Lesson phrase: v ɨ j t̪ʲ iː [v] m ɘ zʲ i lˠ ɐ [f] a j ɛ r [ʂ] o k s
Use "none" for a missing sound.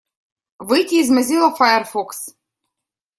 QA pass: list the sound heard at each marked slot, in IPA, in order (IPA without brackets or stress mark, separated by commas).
z, f, f